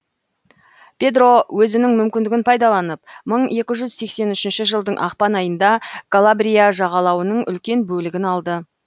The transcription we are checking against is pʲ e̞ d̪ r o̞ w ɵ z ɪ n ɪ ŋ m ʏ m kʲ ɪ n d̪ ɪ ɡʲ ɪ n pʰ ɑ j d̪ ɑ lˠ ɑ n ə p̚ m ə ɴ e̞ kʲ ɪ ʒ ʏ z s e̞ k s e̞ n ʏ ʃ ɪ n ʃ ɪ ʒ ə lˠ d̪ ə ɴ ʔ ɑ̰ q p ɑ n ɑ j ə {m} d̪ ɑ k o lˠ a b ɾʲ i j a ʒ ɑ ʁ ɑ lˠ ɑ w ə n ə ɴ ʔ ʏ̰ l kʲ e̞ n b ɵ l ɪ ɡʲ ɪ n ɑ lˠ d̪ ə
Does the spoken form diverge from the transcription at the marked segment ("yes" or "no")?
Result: yes